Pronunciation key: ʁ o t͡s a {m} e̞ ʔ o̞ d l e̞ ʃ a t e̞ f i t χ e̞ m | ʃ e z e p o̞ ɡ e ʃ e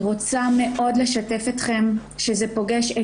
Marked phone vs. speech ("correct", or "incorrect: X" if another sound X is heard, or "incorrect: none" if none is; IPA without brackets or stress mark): correct